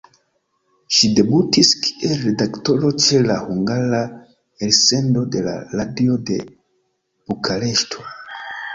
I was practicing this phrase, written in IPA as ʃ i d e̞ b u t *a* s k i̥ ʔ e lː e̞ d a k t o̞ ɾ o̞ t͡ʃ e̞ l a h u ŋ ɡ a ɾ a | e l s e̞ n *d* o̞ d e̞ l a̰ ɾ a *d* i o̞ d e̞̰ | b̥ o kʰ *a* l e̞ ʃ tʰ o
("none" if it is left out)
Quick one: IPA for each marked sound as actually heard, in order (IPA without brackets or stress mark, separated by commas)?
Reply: i, d, d, a